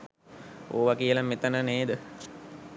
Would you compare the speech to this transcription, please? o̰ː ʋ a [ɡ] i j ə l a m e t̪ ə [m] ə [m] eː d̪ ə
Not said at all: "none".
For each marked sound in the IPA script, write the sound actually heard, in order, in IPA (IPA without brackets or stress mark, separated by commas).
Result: k, n, n